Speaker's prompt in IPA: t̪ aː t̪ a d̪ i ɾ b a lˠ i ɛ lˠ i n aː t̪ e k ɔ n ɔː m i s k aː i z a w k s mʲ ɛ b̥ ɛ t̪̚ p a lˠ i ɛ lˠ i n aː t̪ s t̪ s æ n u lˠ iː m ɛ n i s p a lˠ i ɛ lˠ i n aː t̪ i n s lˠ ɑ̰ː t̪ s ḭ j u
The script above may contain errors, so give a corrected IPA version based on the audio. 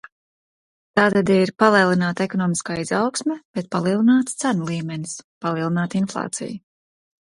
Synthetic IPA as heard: t̪ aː t̪ a d̪ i ɾ p a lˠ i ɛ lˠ i n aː t̪ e k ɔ n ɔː m i s k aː i z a w k s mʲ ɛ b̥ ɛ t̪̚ p a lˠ i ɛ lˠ i n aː t̪ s t̪ s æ n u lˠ iː m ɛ n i s p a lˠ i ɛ lˠ i n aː t̪ i n f lˠ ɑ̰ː t̪ s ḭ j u